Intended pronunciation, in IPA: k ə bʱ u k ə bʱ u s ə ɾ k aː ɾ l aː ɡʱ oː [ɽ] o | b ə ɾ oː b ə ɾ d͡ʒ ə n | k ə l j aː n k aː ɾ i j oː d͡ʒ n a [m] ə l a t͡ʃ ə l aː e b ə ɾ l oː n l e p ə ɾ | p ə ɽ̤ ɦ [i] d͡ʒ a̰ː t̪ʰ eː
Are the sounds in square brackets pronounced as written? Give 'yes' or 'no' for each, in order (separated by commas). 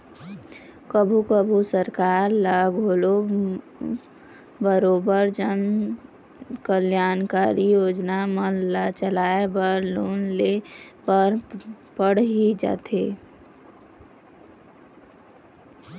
no, yes, yes